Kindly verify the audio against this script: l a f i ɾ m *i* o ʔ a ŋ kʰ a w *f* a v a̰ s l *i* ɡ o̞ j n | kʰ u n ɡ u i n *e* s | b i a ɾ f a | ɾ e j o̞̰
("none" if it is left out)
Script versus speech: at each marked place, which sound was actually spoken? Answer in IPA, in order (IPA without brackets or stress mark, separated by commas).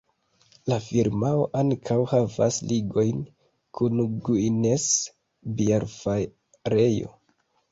a, h, i, e